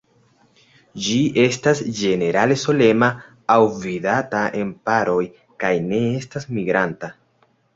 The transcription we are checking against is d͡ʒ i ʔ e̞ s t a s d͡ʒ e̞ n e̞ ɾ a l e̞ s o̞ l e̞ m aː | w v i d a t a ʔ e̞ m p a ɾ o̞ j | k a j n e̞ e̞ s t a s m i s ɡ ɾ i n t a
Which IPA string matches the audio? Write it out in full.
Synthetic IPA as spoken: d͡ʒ i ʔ e̞ s t a s d͡ʒ e̞ n e̞ ɾ a l e̞ s o̞ l e̞ m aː | w v i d a t a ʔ e̞ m p a ɾ o̞ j | k a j n e̞ e̞ s t a s m i ɡ ɾ a n t a